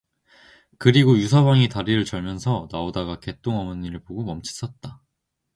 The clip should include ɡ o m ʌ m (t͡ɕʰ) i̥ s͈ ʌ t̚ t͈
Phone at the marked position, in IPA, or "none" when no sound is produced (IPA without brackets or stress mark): t͡ɕʰ